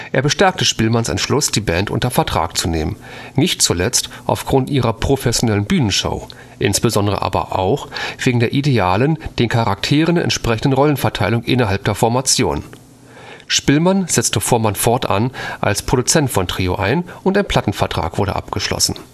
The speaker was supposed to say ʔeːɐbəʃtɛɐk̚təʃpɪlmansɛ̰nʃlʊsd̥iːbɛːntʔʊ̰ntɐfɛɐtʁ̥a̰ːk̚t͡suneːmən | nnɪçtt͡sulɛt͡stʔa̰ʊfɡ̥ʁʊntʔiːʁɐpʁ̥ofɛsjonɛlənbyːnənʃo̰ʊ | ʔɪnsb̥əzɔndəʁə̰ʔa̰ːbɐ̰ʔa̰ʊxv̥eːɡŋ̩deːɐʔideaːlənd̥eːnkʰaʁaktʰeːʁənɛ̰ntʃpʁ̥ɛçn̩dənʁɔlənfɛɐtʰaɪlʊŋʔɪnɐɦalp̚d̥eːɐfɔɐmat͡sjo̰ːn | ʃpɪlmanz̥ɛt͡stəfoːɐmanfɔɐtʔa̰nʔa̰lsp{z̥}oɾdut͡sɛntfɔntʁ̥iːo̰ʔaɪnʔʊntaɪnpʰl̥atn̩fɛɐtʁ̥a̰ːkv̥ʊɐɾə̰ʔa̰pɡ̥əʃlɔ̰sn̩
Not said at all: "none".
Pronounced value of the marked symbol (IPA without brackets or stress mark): ʁ̥